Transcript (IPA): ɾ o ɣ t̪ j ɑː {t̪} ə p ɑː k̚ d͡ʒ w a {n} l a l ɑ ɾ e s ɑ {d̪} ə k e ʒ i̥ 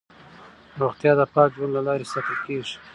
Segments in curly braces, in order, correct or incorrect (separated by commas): incorrect, correct, incorrect